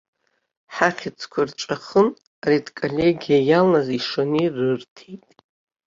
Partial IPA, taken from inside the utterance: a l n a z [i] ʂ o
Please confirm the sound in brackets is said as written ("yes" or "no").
yes